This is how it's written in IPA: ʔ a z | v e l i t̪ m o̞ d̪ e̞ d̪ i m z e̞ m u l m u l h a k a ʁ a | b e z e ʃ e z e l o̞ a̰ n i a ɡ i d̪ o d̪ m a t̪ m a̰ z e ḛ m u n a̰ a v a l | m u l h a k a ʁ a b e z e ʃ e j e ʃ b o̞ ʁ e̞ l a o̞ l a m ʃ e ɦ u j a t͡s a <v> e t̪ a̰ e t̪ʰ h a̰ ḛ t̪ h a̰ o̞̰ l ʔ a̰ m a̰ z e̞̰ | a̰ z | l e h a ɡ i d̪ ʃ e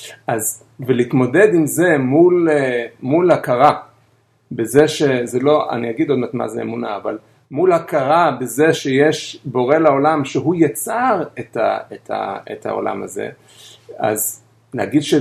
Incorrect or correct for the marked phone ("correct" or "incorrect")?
incorrect